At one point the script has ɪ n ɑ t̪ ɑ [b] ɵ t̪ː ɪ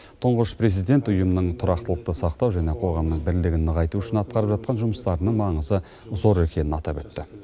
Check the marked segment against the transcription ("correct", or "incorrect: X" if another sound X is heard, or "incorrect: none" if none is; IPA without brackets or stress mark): incorrect: p